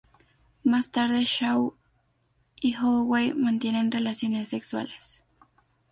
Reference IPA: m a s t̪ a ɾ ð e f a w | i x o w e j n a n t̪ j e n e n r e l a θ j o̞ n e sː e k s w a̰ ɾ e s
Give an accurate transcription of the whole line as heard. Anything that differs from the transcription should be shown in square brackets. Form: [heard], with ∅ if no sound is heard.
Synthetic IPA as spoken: m a s t̪ a ɾ ð e [ʃ] a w | i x o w e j [m] a n t̪ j e n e n r e l a [s] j o̞ n e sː e k s w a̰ [l] e s